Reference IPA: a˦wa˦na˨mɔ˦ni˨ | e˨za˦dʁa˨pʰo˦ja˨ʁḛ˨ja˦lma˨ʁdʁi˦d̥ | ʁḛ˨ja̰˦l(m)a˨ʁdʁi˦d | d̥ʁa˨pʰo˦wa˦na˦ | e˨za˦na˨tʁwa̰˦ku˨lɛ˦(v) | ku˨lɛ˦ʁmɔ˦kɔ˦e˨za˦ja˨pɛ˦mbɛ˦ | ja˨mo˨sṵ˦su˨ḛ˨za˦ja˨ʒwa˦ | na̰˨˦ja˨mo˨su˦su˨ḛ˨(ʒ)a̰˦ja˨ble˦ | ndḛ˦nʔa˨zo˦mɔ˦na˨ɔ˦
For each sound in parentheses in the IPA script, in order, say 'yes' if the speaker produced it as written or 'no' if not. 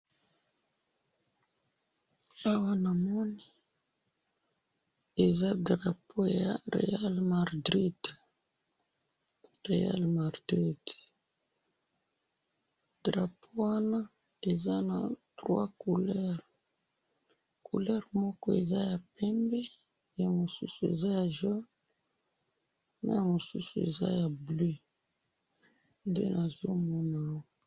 yes, no, no

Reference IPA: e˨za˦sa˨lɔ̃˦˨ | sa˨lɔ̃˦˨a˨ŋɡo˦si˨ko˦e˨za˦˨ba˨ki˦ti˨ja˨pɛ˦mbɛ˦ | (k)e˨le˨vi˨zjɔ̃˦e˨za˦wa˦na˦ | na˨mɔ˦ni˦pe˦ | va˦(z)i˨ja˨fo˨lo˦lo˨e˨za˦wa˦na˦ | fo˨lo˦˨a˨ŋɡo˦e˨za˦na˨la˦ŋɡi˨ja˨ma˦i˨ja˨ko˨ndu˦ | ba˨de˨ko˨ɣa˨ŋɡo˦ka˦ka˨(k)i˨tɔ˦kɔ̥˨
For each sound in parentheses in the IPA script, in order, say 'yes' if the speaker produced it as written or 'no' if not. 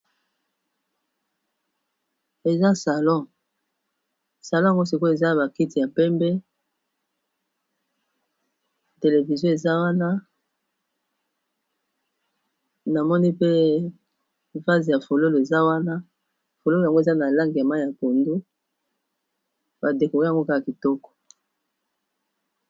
no, yes, yes

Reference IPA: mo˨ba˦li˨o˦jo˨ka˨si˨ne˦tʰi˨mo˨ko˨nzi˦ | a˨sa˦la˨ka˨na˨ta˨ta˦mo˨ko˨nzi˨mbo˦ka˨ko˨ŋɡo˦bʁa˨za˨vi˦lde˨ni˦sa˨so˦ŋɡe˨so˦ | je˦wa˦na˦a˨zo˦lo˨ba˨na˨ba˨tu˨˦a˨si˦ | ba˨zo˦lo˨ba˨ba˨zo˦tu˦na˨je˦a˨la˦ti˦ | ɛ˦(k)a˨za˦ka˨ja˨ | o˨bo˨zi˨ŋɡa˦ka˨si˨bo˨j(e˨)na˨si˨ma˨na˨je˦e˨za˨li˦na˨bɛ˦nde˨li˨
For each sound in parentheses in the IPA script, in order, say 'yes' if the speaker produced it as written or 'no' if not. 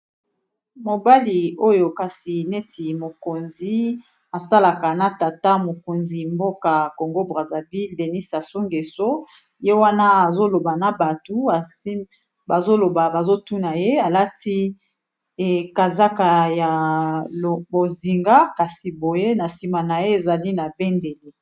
yes, no

